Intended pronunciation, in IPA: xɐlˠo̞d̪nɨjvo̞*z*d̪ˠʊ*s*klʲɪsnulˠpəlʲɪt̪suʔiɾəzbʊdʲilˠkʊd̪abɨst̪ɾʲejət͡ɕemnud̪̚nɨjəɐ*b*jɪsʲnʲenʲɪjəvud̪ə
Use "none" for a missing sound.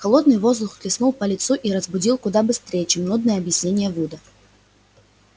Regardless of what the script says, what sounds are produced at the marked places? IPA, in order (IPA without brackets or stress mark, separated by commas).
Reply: z, x, b